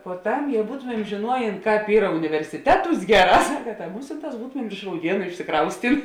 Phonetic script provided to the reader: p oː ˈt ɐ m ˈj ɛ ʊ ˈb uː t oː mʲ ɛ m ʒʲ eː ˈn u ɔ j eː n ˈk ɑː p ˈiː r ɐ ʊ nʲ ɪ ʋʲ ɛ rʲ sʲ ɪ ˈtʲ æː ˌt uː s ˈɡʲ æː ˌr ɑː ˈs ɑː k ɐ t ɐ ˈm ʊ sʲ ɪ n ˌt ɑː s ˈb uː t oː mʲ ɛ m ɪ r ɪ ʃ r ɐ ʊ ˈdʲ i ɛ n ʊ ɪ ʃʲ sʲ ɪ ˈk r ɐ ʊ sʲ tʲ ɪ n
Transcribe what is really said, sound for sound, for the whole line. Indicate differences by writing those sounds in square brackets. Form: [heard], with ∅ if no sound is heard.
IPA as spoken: p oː ˈt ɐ m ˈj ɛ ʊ ˈb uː t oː mʲ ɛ m ʒʲ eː ˈn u ɔ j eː n ˈk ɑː p ˈiː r ɐ ʊ nʲ ɪ ʋʲ ɛ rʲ sʲ ɪ ˈtʲ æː ˌt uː s ˈɡʲ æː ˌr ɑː ˈs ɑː k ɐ t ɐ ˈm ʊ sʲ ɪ n ˌt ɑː s ˈb uː t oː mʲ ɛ m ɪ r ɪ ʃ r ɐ ʊ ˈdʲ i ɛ n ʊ ɪ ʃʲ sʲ ɪ ˈk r ɐ ʊ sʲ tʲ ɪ n